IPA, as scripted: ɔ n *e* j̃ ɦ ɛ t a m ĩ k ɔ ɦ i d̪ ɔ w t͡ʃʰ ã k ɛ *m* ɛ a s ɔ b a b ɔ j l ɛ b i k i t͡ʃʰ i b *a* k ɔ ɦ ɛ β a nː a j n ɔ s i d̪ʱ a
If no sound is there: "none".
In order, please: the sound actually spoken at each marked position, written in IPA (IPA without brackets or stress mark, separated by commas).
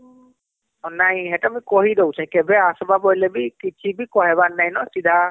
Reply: a, b, i